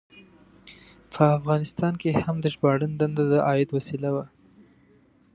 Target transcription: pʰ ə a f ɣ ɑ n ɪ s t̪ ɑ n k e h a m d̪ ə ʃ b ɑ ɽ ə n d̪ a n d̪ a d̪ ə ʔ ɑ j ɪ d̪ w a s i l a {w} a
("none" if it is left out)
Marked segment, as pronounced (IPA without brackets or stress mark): w